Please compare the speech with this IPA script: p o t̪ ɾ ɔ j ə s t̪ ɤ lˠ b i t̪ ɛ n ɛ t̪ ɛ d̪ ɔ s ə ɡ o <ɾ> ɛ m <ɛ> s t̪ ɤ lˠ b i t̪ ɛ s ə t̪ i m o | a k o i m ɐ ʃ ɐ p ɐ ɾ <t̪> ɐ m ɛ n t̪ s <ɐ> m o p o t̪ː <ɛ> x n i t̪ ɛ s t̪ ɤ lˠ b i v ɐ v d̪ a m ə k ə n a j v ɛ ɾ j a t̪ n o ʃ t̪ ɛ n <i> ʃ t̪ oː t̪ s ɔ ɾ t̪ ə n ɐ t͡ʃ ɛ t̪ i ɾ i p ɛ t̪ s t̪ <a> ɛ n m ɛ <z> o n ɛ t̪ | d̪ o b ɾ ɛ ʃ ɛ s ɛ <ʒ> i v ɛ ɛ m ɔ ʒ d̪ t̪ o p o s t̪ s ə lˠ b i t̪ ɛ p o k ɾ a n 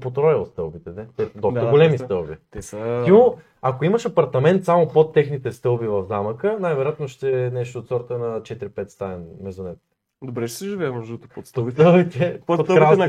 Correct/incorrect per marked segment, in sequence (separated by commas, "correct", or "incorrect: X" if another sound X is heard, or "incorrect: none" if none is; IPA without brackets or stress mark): incorrect: l, incorrect: i, correct, incorrect: a, correct, incorrect: ɛ, correct, correct, correct